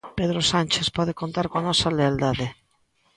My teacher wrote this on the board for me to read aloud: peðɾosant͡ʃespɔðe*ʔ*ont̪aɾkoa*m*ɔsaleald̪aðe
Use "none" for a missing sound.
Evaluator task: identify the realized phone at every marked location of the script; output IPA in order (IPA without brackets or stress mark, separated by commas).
k, n